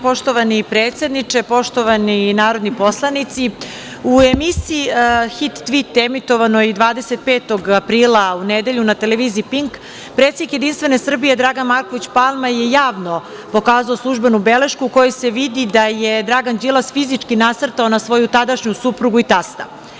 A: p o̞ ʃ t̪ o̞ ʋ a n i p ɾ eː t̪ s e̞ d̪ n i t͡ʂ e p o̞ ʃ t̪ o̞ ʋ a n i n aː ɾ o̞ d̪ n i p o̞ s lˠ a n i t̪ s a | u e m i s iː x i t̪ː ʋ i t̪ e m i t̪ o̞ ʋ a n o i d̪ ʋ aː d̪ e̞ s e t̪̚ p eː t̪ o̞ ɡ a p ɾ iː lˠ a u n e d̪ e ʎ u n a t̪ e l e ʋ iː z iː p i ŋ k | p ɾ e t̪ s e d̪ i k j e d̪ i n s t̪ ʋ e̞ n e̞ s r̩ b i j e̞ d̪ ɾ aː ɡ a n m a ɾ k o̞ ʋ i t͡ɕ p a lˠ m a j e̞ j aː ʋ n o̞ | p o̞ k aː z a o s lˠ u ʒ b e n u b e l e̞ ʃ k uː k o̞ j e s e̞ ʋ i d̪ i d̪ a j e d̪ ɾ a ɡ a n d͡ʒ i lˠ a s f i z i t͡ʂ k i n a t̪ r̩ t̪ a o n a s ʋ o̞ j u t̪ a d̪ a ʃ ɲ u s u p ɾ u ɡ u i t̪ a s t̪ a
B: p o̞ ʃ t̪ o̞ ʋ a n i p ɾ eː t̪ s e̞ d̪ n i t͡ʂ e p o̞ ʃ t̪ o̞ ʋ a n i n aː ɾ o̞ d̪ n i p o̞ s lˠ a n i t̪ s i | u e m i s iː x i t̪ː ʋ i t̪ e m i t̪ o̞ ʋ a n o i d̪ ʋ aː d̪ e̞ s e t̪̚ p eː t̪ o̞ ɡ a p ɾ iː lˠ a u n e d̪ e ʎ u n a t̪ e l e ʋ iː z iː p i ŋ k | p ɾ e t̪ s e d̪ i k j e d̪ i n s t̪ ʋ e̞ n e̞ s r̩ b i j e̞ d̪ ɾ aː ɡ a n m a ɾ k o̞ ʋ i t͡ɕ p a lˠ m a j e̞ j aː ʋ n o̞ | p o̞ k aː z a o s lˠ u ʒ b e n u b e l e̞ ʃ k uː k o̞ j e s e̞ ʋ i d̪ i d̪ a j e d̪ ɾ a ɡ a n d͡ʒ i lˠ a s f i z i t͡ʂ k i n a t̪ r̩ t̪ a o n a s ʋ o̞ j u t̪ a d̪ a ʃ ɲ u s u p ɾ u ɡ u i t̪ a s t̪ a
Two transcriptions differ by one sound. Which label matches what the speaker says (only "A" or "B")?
B